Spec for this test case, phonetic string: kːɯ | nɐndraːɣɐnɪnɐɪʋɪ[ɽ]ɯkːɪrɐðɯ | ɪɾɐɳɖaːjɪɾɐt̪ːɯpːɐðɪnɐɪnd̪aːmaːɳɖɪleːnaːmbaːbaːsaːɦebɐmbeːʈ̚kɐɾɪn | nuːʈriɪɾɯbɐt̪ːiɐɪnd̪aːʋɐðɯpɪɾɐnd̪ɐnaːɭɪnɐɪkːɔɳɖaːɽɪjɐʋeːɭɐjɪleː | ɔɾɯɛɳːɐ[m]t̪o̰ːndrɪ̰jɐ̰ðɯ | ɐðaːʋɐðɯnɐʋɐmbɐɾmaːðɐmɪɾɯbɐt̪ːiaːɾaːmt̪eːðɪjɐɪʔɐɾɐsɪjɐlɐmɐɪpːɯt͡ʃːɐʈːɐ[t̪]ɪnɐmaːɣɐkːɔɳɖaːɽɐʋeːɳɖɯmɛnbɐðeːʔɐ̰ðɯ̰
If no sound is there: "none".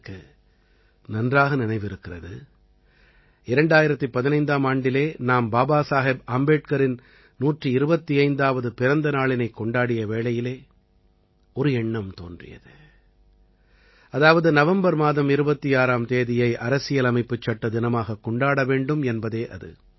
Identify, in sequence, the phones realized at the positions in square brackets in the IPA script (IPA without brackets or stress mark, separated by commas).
ɾ, m, d̪